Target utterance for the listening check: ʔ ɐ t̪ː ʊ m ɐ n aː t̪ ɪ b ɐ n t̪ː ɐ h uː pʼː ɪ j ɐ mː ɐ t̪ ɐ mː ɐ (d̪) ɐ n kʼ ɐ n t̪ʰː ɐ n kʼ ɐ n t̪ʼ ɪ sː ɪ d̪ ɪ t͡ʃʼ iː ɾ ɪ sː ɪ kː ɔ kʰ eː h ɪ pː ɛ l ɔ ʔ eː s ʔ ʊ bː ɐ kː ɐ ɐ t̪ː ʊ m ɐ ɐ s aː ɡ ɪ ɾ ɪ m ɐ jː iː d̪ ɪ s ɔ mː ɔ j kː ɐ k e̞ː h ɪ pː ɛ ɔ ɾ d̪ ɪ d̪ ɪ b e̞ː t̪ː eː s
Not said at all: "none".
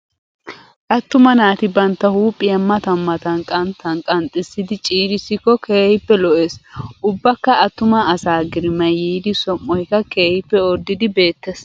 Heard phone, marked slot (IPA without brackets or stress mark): t̪